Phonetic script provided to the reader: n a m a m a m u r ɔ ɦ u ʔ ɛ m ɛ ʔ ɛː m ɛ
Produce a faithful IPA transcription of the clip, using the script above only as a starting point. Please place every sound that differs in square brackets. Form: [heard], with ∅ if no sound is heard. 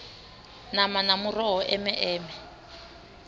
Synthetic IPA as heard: n a m a [n] a m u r ɔ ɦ [ɔ] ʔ ɛ m ɛ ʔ ɛː m ɛ